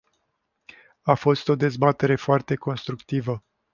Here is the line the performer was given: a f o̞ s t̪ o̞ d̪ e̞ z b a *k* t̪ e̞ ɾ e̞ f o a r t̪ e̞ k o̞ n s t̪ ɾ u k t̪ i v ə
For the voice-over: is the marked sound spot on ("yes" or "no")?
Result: no